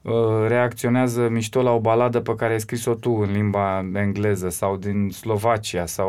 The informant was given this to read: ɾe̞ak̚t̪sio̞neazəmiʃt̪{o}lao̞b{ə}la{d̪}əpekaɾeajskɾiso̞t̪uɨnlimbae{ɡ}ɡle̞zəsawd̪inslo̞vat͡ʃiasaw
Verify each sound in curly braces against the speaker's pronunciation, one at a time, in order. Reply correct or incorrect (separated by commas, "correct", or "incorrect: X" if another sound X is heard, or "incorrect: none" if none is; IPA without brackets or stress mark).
correct, incorrect: a, correct, incorrect: ŋ